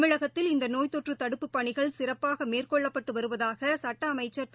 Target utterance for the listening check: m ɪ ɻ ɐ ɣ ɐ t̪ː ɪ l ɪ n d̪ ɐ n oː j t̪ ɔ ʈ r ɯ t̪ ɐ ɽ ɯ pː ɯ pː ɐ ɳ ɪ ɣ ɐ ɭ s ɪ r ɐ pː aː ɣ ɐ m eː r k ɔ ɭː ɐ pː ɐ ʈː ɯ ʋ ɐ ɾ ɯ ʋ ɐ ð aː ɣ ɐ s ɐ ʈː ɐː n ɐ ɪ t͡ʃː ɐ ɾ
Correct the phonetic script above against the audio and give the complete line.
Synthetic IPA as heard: m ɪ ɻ ɐ ɣ ɐ t̪ː ɪ l ɪ n d̪ ɐ n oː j t̪ ɔ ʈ r ɯ t̪ ɐ ɽ ɯ pː ɯ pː ɐ ɳ ɪ ɣ ɐ ɭ s ɪ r ɐ pː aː ɣ ɐ m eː r k ɔ ɭː ɐ pː ɐ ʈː ɯ ʋ ɐ ɾ ɯ ʋ ɐ ð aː ɣ ɐ s ɐ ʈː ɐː m ɐ ɪ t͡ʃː ɐ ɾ

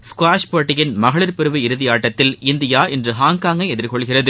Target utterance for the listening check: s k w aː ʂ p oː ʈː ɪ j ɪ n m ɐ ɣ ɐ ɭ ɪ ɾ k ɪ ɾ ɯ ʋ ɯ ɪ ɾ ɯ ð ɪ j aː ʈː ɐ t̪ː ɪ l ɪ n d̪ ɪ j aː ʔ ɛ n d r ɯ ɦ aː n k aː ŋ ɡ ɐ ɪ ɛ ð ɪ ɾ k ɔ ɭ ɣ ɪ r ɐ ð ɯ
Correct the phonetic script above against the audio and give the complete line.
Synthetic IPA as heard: s k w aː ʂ p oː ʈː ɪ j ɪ n m ɐ ɣ ɐ ɭ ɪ ɾ p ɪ ɾ ɯ ʋ ɯ ɪ ɾ ɯ ð ɪ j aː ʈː ɐ t̪ː ɪ l ɪ n d̪ ɪ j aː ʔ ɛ n d r ɯ ɦ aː ŋ k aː ŋ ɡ ɐ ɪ ɛ ð ɪ ɾ k ɔ ɭ ɣ ɪ r ɐ ð ɯ

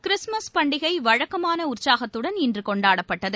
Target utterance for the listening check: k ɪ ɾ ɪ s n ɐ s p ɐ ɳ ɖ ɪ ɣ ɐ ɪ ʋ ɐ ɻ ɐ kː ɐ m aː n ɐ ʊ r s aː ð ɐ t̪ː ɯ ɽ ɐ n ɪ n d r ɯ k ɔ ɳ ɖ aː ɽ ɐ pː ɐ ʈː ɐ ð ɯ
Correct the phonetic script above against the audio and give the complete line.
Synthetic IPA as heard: k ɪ ɾ ɪ s m ɐ s p ɐ ɳ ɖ ɪ ɣ ɐ ɪ ʋ ɐ ɻ ɐ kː ɐ m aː n ɐ ʊ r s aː ɣ ɐ t̪ː ɯ ɽ ɐ n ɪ n d r ɯ k ɔ ɳ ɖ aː ɽ ɐ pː ɐ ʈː ɐ ð ɯ

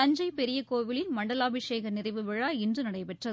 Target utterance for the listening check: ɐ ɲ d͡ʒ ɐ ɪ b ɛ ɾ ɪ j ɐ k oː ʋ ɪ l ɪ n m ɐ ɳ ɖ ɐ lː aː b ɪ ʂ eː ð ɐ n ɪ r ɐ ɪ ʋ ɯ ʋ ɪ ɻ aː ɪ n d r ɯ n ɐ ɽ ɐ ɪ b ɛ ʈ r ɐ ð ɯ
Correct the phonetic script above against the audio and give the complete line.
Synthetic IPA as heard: ɐ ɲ d͡ʒ ɐ ɪ p ɛ ɾ ɪ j ɐ k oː ʋ ɪ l ɪ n m ɐ ɳ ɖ ɐ l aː b ɪ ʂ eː ɣ ɐ n ɪ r ɐ ɪ ʋ ɯ ʋ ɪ ɻ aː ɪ n d r ɯ n ɐ ɽ ɐ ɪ p ɛ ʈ r ɐ ð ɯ

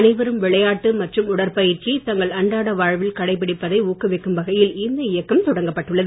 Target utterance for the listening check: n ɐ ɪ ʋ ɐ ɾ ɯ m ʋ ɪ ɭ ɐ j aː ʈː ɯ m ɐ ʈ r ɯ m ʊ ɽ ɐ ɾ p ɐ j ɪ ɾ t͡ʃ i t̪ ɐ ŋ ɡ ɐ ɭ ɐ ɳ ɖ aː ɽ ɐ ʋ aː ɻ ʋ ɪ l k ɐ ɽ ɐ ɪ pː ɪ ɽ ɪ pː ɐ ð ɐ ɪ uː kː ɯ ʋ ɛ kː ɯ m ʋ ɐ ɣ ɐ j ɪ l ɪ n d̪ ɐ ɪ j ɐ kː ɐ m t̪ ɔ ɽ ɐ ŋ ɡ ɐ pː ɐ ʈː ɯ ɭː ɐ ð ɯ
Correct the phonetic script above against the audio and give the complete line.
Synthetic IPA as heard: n ɐ ɪ ʋ ɐ ɾ ɯ m ʋ ɪ ɭ ɐ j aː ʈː ɯ m ɐ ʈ r ɯ m ʊ ɽ ɐ ɾ p ɐ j ɪ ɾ t͡ʃ i t̪ ɐ ŋ ɡ ɐ ɭ ɐ ɳ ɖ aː ɽ ɐ ʋ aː ɻ ʋ ɪ l k ɐ ɽ ɐ ɪ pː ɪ ɽ ɪ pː ɐ ð ɐ ɪ uː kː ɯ ʋ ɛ kː ɯ m ʋ ɐ ɣ ɐ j ɪ l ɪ n d̪ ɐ ɪ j ɐ kː ɐ m t̪ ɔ ɽ ɐ ŋ ɡ ɐ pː ɐ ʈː ɯ ɭː ɐ ð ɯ

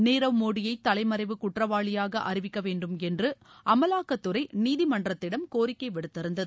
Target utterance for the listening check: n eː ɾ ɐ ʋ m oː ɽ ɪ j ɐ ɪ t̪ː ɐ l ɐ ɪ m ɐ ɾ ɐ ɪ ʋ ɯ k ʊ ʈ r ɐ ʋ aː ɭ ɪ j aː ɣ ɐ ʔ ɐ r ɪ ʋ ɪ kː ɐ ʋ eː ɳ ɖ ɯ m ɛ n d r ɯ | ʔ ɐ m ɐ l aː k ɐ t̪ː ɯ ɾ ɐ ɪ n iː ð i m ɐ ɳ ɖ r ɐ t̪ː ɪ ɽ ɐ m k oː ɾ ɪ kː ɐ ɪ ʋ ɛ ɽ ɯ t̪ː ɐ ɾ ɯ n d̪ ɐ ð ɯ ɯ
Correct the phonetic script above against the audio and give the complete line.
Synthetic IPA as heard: n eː ɾ ɐ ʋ m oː ɽ ɪ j ɐ ɪ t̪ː ɐ l ɐ ɪ m ɐ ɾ ɐ ɪ ʋ ɯ k ʊ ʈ r ɐ ʋ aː ɭ ɪ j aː ɣ ɐ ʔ ɐ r ɪ ʋ ɪ kː ɐ ʋ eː ɳ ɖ ɯ m ɛ n d r ɯ | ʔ ɐ m ɐ l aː k ɐ t̪ː ɯ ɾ ɐ ɪ n iː ð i m ɐ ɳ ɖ r ɐ t̪ː ɪ ɽ ɐ m k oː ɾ ɪ kː ɐ ɪ ʋ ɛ ɽ ɯ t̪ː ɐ ɾ ɯ n d̪ ɐ ð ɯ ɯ

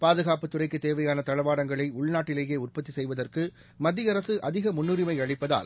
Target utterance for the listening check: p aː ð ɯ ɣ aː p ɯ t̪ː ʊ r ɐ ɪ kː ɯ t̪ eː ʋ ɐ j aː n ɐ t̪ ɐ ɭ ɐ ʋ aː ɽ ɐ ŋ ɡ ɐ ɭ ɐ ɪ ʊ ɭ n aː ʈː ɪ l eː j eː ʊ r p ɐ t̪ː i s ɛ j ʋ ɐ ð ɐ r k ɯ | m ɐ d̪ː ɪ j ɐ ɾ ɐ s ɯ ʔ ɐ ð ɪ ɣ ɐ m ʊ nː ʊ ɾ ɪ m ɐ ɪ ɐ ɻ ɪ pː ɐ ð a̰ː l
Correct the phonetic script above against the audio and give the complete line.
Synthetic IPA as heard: p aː ð ɯ ɣ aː p ɯ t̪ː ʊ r ɐ ɪ kː ɯ t̪ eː ʋ ɐ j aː n ɐ t̪ ɐ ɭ ɐ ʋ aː ɽ ɐ ŋ ɡ ɐ ɭ ɐ ɪ ʊ ɭ n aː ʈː ɪ l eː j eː ʊ r p ɐ t̪ː i s ɛ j ʋ ɐ ð ɐ r k ɯ | m ɐ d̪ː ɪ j ɐ ɾ ɐ s ɯ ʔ ɐ ð ɪ ɣ ɐ m ʊ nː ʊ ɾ ɪ m ɐ ɪ ɐ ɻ ɪ pː ɐ ð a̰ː l

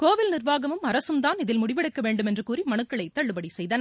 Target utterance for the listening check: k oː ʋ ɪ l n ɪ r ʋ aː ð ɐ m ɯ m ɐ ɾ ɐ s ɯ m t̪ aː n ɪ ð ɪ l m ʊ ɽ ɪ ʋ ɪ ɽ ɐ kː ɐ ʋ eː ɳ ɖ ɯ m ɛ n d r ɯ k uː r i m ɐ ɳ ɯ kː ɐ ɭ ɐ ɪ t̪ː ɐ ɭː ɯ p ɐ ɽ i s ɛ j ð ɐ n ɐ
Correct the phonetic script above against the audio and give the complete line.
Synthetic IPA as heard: k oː ʋ ɪ l n ɪ r ʋ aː ɣ ɐ m ɯ m ɐ ɾ ɐ s ɯ m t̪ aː n ɪ ð ɪ l m ʊ ɽ ɪ ʋ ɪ ɽ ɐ kː ɐ ʋ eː ɳ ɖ ɯ m ɛ n d r ɯ k uː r i m ɐ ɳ ɯ kː ɐ ɭ ɐ ɪ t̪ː ɐ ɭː ɯ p ɐ ɽ i s ɛ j ð ɐ n ɐ

